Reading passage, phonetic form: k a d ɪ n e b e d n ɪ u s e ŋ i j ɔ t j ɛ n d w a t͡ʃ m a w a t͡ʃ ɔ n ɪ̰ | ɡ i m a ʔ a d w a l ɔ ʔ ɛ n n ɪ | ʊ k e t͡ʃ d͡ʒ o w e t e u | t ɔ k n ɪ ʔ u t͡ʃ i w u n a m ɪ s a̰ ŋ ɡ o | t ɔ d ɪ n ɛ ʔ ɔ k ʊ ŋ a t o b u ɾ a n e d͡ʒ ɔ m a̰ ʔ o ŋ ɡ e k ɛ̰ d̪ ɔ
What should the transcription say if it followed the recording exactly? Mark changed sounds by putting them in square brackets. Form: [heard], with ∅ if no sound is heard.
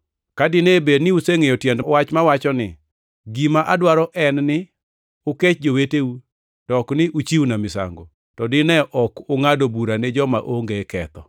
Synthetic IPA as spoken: k a d ɪ n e b e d n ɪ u s e ŋ [e] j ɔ t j ɛ n d w a t͡ʃ m a w a t͡ʃ ɔ n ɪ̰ | ɡ i m a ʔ a d w a [ɾ] ɔ ʔ ɛ n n ɪ | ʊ k e t͡ʃ d͡ʒ o w e t e u | t ɔ k n ɪ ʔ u t͡ʃ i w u n a m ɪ s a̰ ŋ ɡ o | t ɔ d ɪ n ɛ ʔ ɔ k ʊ ŋ a [d] o b u ɾ a n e d͡ʒ ɔ m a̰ ʔ o ŋ ɡ e k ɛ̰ [t̪] ɔ